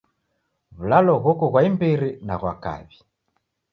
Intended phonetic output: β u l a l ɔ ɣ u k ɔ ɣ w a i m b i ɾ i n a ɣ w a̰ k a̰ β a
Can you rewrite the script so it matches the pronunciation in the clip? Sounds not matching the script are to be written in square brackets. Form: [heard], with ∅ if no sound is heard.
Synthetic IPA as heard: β u l a l ɔ ɣ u k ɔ ɣ w a i m b i ɾ i n a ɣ w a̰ k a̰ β [i]